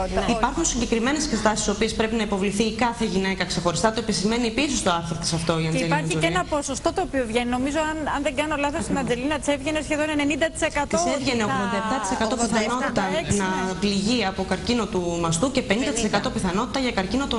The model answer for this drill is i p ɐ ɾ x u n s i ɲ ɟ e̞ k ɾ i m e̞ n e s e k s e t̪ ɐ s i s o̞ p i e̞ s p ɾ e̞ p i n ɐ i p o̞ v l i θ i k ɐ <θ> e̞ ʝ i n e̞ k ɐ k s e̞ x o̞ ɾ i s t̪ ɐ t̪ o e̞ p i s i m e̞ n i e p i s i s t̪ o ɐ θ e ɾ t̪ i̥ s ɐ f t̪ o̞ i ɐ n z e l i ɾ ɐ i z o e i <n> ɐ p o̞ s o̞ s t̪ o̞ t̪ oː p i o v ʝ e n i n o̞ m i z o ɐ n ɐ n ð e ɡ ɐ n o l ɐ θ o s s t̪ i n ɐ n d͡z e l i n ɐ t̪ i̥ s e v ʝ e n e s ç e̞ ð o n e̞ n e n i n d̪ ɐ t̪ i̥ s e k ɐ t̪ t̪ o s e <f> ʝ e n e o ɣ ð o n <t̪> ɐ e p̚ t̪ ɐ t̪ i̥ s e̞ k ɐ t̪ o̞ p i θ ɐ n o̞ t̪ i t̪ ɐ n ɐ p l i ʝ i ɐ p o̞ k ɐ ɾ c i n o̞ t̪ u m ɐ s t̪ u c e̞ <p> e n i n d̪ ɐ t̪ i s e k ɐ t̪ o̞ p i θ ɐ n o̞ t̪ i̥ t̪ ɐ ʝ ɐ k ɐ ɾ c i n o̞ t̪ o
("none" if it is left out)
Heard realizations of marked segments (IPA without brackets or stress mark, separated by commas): θ, n, v, d̪, p